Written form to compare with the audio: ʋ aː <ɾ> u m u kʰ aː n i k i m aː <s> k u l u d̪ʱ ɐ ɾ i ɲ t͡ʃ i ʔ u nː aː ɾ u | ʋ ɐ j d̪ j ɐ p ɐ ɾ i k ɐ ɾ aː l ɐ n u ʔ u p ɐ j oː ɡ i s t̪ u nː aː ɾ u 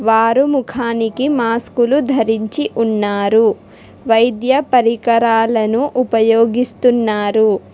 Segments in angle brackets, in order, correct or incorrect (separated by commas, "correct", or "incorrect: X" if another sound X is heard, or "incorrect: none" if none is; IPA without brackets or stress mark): correct, correct